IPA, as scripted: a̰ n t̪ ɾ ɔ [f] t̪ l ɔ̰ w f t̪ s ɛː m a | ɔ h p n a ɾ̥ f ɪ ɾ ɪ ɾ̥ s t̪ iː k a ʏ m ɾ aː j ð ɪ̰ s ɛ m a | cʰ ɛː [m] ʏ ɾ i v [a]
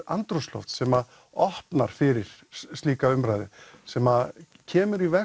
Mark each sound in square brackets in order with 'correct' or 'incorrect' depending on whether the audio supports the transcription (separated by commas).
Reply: incorrect, correct, incorrect